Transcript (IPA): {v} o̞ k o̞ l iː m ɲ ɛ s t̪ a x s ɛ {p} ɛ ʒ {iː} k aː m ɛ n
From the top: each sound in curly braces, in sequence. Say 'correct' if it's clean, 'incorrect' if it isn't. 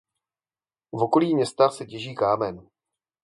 correct, incorrect, correct

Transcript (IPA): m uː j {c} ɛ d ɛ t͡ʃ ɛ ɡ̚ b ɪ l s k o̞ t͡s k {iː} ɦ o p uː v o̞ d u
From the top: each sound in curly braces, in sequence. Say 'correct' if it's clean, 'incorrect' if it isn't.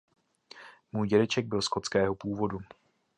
incorrect, incorrect

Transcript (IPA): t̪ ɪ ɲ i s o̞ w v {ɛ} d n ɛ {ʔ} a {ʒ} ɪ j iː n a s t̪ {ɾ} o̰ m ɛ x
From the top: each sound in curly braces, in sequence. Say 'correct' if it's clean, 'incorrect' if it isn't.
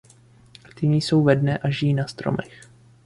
correct, correct, correct, correct

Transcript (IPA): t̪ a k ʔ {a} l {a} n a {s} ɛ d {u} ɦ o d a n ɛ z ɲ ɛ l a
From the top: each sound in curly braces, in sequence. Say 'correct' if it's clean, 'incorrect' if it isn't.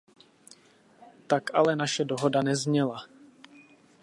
correct, incorrect, incorrect, incorrect

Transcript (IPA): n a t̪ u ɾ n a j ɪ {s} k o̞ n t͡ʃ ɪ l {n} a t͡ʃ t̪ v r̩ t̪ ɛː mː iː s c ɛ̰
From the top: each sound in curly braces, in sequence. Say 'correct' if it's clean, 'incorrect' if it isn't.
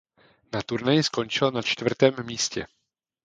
correct, correct

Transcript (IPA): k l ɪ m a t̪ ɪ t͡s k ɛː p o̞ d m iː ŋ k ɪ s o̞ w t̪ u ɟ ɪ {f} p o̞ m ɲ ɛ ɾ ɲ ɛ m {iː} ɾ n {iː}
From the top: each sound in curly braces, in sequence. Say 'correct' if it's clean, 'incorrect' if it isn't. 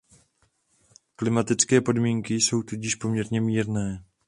incorrect, correct, incorrect

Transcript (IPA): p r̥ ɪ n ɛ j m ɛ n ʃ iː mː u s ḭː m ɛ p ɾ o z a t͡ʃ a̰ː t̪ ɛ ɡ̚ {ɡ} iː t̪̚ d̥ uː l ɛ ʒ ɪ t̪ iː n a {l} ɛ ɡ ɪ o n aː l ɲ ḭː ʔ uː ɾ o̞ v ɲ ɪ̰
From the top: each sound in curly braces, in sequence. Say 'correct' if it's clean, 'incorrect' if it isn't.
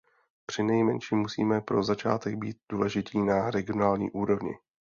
incorrect, incorrect

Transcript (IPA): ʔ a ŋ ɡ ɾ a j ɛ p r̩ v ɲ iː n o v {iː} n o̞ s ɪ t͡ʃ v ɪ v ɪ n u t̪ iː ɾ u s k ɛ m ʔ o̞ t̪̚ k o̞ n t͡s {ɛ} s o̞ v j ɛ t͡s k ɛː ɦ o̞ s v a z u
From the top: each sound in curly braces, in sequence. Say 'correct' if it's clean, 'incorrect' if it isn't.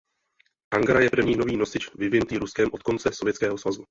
correct, correct

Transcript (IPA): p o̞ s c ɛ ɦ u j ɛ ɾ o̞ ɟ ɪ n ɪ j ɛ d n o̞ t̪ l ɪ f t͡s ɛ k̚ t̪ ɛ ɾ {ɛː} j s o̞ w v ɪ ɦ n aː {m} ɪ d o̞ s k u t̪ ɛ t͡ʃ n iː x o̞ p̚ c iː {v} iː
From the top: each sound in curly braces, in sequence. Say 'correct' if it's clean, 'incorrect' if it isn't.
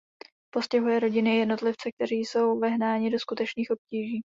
incorrect, incorrect, incorrect

